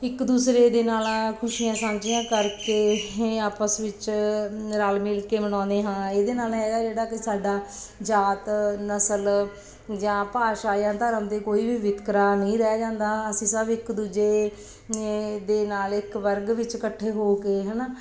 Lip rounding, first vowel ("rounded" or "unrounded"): unrounded